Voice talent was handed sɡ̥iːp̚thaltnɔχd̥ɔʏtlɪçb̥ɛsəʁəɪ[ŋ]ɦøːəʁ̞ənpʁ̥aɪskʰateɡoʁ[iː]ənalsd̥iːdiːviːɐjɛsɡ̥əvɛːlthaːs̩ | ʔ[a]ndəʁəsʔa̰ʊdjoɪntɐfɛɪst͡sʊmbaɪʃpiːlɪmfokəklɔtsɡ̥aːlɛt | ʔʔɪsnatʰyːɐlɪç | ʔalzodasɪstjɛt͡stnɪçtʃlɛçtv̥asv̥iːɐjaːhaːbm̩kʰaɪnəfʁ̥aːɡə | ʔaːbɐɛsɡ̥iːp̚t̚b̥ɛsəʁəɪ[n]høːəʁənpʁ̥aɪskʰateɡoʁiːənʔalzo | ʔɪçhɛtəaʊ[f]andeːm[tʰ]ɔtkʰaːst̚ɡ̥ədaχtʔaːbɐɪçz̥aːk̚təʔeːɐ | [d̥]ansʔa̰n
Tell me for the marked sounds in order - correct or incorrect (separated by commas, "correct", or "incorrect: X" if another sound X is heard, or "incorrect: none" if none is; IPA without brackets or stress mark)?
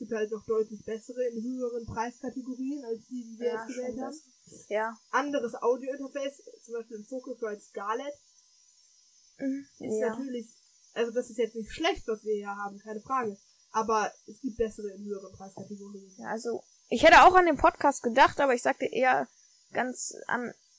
incorrect: n, correct, correct, correct, incorrect: x, incorrect: pʰ, incorrect: ɡ̥